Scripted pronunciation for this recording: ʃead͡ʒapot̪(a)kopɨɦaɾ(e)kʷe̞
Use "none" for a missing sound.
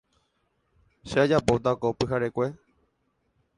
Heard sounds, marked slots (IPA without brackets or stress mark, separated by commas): a, e